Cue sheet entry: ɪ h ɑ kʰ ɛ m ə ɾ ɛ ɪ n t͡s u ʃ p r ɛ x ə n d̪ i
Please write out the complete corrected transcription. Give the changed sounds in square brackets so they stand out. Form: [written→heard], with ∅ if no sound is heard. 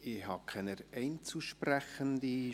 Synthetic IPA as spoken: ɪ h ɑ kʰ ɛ [m→n] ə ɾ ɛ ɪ n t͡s u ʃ p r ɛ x ə n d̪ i